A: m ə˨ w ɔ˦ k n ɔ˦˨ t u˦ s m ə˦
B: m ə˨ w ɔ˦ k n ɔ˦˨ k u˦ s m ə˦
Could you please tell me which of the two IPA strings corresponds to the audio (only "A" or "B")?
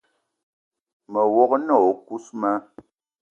B